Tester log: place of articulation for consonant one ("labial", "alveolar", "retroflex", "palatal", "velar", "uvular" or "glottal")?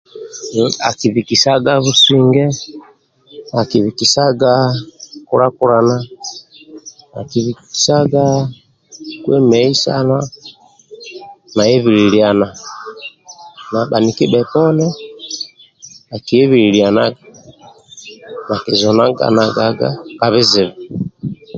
velar